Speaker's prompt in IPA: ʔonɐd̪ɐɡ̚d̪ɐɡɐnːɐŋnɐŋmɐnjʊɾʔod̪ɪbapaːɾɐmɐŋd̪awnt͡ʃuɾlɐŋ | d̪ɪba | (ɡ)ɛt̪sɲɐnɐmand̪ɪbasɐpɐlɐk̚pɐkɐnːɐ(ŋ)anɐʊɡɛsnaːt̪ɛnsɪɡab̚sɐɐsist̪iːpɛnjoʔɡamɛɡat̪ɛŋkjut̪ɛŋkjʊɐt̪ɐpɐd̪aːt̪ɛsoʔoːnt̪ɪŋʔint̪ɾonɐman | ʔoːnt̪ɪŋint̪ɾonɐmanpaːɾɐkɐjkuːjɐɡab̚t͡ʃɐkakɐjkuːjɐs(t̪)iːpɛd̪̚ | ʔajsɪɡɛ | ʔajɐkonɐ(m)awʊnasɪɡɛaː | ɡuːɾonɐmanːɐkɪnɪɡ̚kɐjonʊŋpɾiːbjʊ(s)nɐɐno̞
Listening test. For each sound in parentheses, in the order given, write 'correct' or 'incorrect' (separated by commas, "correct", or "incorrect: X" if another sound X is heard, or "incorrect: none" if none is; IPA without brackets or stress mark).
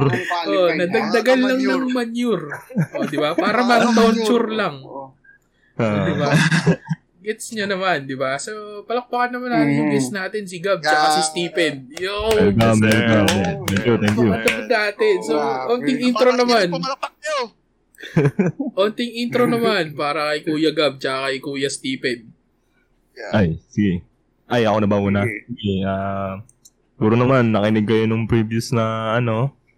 correct, incorrect: m, correct, incorrect: b, correct